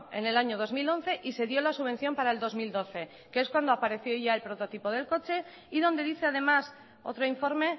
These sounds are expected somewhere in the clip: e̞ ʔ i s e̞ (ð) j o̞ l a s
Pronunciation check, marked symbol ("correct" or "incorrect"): correct